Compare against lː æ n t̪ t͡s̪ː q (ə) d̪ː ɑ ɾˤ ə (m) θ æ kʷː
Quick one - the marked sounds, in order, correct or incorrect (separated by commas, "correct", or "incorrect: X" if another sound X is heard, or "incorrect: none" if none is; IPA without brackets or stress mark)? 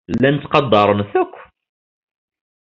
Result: incorrect: ɑ, incorrect: n